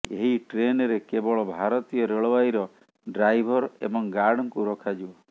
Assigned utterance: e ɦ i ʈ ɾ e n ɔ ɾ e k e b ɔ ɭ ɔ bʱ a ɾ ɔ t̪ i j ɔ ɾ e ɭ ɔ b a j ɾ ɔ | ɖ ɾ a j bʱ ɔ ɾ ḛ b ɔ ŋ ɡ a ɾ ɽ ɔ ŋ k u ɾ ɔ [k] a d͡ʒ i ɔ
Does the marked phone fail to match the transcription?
yes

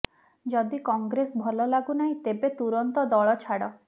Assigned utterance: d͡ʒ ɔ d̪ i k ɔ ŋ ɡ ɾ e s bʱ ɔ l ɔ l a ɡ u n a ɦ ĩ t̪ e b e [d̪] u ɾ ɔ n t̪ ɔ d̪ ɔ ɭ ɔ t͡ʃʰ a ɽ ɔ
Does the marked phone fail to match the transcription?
yes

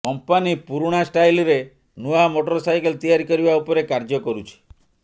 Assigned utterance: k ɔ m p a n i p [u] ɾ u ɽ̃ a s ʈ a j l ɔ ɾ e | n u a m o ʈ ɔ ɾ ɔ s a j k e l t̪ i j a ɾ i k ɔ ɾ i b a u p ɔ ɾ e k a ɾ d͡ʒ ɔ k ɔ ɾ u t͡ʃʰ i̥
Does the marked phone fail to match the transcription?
no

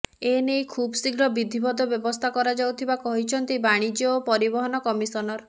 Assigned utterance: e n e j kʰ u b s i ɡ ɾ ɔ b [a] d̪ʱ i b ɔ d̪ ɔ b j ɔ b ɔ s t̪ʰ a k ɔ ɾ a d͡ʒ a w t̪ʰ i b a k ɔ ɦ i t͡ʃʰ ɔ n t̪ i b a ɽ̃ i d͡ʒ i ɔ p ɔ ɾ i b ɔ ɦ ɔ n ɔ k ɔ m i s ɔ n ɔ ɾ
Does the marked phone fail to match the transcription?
yes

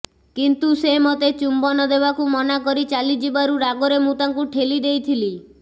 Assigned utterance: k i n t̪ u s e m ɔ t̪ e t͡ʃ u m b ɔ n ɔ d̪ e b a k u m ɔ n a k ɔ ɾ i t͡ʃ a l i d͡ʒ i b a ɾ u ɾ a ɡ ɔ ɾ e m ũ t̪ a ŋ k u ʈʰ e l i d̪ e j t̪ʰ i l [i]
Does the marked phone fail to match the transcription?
no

